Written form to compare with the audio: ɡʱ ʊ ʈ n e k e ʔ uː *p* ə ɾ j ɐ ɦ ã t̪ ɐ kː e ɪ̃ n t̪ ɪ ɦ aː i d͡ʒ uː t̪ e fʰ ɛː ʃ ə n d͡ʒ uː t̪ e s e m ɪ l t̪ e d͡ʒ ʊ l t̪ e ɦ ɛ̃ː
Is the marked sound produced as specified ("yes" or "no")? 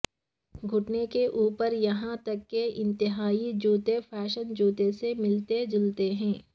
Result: yes